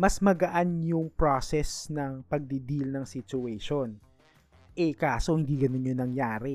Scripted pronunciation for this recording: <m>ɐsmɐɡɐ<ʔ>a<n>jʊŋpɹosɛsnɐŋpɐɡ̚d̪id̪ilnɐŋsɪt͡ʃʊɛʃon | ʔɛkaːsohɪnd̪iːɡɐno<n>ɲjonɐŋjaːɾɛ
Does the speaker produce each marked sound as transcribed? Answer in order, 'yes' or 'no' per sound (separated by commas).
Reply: yes, yes, yes, yes